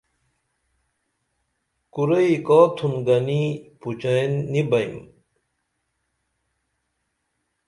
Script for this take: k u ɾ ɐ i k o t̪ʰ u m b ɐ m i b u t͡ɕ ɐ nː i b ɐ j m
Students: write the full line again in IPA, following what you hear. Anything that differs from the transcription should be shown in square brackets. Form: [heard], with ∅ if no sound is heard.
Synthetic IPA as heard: k u ɾ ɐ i k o t̪ʰ u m [ɡ] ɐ [n] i [p] u t͡ɕ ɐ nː i b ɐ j m